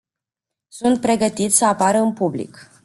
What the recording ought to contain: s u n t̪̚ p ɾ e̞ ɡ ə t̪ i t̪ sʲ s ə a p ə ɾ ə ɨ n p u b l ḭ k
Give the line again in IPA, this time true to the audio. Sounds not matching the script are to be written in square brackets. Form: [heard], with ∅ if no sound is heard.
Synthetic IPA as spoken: s u n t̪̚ p ɾ e̞ ɡ ə t̪ i t̪ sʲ s ə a p [a] ɾ ə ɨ n p u b l ḭ k